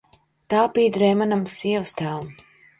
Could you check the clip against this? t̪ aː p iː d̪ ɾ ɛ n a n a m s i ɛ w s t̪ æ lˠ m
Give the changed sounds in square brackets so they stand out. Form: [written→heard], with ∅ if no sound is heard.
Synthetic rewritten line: t̪ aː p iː d̪ ɾ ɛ [n→m] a n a m s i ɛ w s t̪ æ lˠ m